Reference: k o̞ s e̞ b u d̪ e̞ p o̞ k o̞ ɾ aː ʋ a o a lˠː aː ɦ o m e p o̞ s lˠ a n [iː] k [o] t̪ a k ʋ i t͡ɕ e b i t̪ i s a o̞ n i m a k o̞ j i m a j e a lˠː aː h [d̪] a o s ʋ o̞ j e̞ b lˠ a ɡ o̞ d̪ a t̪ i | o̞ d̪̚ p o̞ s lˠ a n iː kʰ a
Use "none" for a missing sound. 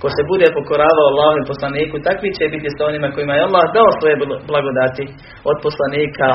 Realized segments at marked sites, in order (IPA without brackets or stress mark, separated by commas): iː, u, d̪